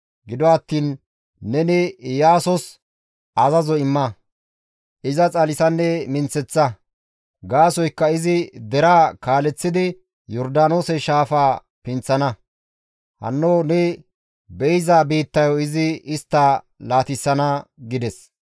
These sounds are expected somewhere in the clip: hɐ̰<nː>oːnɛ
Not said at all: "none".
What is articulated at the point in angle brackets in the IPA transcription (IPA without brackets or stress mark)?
nː